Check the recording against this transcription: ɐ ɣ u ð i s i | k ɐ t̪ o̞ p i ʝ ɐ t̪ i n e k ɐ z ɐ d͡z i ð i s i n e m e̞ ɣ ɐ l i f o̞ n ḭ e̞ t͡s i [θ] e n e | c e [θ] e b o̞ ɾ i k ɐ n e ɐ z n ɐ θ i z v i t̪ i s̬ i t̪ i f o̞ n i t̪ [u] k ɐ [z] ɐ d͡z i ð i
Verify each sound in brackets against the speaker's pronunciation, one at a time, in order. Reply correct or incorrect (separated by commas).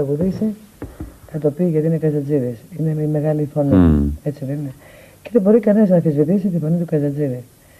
incorrect, incorrect, correct, correct